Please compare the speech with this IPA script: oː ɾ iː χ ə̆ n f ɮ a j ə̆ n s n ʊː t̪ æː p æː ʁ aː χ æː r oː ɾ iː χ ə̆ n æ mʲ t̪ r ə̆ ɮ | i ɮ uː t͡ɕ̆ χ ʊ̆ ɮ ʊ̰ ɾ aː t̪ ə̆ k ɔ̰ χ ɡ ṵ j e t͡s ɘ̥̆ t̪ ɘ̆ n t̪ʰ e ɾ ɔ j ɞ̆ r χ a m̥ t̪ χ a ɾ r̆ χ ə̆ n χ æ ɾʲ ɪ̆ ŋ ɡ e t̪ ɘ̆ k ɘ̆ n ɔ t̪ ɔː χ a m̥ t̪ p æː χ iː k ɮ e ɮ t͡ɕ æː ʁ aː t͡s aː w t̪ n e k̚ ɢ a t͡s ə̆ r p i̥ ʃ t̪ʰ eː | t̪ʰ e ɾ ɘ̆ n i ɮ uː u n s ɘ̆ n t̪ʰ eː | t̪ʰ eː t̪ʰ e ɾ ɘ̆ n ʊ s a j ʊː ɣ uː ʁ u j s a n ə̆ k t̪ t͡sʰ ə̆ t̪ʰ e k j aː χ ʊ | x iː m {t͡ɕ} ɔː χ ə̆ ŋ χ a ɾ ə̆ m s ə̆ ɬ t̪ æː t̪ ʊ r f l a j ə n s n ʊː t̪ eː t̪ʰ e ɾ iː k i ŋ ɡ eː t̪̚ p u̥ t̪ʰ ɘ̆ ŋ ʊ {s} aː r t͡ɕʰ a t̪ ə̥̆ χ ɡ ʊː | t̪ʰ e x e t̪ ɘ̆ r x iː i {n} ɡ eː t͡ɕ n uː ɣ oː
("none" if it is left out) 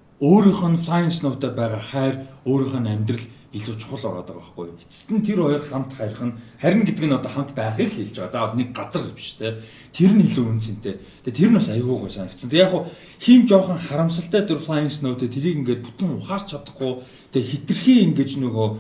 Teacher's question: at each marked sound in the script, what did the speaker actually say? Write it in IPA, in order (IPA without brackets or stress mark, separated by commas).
t͡ɕ, χ, ŋ